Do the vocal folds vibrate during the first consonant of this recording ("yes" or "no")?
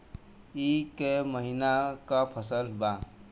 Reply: no